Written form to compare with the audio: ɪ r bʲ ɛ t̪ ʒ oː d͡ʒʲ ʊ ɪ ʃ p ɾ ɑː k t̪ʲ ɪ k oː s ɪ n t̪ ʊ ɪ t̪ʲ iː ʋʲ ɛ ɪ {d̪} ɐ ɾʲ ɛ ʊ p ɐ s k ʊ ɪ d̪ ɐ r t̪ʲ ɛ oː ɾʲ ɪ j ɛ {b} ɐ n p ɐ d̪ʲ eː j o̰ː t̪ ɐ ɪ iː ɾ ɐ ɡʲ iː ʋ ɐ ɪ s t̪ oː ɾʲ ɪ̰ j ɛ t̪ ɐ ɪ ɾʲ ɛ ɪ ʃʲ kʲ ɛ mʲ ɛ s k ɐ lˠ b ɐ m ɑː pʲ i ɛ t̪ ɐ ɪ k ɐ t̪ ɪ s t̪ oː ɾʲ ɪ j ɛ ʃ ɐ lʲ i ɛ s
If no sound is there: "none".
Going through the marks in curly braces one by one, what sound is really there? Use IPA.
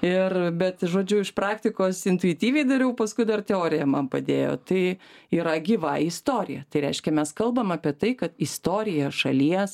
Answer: d̪, m

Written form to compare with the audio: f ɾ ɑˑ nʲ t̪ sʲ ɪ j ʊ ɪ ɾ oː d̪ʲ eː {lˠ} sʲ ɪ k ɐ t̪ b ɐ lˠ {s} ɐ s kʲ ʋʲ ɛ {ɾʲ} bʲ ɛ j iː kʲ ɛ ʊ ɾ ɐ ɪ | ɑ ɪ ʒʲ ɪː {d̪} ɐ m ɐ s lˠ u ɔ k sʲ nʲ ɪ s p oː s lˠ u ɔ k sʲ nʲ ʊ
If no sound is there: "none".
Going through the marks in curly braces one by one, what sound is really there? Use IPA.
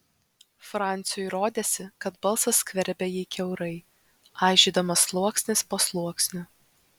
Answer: none, s, ɾʲ, d̪

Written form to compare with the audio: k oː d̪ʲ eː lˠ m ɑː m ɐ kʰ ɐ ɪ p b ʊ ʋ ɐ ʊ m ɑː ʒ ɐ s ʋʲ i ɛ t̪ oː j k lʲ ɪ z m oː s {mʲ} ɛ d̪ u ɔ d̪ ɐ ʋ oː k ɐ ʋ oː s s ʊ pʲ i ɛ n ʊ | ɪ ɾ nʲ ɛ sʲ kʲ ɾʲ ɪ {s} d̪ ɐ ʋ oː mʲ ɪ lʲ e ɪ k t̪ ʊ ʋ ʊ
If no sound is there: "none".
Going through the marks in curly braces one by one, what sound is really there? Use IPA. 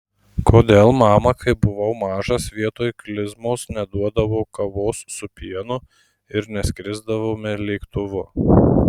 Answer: nʲ, z

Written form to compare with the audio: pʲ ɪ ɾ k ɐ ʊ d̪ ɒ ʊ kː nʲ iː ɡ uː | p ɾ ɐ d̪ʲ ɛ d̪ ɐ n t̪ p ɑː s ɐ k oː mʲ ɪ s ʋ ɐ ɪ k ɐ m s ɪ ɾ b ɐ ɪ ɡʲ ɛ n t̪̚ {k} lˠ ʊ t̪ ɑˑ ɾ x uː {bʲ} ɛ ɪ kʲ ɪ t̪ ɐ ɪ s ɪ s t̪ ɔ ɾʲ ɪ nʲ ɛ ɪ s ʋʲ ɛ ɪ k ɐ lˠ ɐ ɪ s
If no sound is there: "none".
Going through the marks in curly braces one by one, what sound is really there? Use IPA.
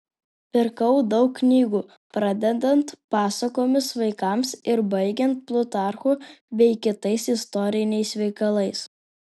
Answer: p, bʲ

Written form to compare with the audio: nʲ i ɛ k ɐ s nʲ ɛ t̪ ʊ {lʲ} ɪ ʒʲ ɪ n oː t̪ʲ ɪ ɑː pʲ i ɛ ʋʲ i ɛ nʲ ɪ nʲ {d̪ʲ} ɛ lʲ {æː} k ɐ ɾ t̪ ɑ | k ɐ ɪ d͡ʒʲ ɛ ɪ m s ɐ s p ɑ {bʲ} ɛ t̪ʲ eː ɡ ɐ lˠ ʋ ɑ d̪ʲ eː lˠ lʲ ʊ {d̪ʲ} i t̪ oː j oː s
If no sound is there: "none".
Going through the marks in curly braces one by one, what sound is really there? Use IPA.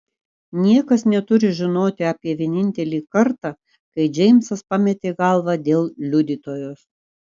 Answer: ɾʲ, t̪ʲ, iː, mʲ, d̪ʲ

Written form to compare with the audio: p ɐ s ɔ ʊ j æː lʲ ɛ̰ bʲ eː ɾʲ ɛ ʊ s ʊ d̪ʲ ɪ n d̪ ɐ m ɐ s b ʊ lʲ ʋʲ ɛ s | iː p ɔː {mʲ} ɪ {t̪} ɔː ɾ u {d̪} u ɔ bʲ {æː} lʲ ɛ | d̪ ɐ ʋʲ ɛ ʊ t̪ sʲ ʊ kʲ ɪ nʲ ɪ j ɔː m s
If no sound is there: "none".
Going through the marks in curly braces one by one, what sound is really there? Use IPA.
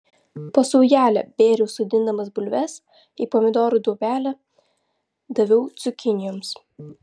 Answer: mʲ, d̪, d̪, æː

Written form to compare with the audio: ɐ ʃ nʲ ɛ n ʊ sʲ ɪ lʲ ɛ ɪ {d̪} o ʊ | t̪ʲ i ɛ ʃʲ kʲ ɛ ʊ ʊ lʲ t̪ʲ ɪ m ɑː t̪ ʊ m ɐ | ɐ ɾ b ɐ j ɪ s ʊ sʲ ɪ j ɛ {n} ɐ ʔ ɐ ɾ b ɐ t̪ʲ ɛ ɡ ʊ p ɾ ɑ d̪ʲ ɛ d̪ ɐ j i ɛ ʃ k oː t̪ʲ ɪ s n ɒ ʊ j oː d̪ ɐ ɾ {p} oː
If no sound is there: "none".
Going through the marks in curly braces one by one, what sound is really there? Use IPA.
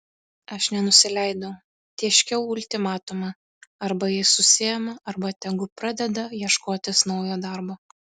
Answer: d̪, m, b

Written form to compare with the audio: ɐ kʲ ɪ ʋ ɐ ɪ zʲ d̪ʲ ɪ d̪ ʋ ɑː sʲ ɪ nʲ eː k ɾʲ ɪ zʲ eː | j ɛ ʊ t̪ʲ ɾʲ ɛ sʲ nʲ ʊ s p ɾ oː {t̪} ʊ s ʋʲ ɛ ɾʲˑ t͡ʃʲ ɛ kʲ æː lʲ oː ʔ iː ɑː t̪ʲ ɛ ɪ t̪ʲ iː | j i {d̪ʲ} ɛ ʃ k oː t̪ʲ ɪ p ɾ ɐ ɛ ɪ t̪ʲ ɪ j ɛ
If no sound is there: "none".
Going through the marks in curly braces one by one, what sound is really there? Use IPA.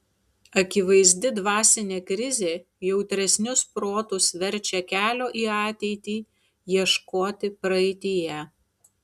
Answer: t̪, none

